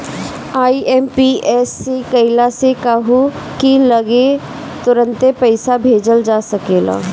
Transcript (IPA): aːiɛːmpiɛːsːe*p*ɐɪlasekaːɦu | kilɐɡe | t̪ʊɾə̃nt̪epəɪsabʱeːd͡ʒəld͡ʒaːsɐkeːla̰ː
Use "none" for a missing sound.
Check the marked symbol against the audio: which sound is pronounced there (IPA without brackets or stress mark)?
k